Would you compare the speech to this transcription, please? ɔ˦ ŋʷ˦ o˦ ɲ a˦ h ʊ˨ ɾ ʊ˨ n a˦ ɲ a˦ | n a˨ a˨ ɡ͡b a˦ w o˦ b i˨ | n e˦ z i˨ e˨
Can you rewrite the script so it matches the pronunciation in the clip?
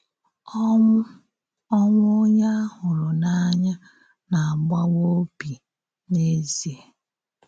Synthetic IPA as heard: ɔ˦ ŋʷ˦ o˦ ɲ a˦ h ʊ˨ l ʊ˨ n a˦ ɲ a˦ | n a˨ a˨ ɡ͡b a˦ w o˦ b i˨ | n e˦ z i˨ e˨